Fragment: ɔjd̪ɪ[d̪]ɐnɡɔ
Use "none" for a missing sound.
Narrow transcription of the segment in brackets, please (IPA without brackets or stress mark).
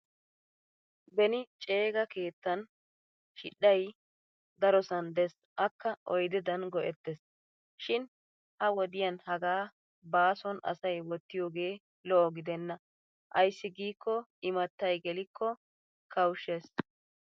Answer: d̪